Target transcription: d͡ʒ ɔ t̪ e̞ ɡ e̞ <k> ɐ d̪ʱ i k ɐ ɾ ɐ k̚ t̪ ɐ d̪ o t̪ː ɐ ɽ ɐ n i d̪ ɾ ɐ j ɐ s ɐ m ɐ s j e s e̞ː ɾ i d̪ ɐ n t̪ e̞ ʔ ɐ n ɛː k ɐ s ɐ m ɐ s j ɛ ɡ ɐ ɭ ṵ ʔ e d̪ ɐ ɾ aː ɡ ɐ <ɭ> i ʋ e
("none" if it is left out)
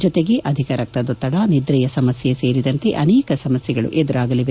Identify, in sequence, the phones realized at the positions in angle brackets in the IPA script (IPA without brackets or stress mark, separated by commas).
ʔ, l